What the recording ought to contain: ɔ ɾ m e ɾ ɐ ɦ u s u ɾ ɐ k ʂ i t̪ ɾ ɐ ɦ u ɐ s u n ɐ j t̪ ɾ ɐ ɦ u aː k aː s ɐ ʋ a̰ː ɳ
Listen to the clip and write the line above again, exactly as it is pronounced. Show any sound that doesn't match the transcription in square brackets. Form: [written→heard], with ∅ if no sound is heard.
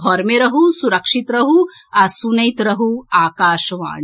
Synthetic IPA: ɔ ɾ m e ɾ ɐ ɦ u s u ɾ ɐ k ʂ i t̪ ɾ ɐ ɦ u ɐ s u n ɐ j t̪ ɾ ɐ ɦ u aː k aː [s→ʃ] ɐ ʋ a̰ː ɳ